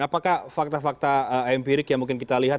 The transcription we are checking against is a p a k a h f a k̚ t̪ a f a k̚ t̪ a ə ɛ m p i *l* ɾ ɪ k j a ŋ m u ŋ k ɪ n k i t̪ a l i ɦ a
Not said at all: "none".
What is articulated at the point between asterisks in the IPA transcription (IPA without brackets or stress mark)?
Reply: none